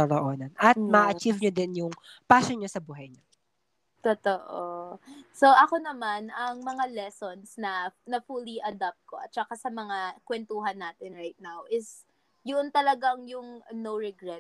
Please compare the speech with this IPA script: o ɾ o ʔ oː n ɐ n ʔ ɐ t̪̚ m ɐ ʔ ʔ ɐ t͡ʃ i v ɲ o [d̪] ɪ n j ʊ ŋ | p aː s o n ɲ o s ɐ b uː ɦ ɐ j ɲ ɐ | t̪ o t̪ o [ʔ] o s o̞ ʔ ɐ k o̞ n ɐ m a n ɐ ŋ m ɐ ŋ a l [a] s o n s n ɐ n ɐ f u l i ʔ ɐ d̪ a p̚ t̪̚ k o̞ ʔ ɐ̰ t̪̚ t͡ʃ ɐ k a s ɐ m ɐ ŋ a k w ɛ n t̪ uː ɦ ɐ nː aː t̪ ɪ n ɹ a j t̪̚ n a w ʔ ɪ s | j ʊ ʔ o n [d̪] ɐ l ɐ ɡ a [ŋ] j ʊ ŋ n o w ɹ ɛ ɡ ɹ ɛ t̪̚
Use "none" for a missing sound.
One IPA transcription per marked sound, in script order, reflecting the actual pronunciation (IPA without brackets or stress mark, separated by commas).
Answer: d̪, ʔ, ɛ, t̪, ŋ